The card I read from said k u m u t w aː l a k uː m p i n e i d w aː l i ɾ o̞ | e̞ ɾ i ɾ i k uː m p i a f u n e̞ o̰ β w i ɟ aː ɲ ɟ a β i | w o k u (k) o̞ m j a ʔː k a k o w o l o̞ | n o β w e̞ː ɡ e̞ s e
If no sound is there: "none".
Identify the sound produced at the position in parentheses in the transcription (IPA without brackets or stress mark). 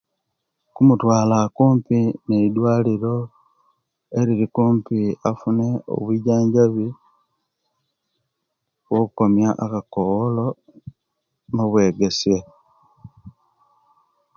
k